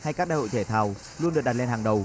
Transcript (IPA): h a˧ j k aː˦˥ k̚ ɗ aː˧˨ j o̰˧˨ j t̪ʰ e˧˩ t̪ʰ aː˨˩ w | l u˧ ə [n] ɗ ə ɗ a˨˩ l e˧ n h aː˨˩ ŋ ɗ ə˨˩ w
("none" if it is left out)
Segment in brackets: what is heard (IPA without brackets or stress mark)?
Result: n